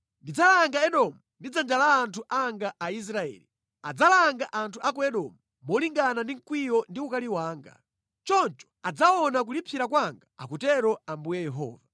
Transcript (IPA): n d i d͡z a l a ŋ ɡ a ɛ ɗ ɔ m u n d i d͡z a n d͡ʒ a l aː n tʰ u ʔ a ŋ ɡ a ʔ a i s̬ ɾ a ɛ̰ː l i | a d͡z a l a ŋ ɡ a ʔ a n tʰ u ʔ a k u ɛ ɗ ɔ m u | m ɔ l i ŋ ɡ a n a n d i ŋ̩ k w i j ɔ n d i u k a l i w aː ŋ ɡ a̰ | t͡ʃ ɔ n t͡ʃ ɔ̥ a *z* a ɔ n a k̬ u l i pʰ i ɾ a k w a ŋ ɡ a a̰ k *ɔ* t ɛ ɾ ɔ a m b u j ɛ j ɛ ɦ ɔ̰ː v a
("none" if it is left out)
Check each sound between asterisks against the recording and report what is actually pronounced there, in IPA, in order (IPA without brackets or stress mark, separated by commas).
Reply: d͡z, u